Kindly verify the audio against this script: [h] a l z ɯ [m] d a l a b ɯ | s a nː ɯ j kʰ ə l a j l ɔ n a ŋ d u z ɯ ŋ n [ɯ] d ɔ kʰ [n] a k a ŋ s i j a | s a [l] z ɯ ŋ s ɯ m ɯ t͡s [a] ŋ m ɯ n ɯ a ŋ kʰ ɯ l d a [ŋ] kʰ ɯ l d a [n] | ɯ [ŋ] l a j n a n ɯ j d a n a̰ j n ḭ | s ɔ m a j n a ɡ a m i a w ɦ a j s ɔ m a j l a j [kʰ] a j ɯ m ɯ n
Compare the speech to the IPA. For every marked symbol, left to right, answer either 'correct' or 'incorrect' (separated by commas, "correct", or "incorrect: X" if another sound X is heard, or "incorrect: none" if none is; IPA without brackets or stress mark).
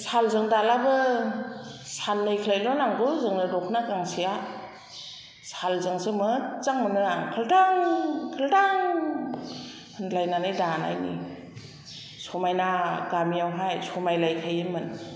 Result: incorrect: s, incorrect: ŋ, correct, correct, correct, correct, correct, incorrect: ŋ, incorrect: n, correct